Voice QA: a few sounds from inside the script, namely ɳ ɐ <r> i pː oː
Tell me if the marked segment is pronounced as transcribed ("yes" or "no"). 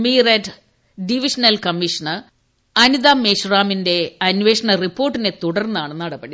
yes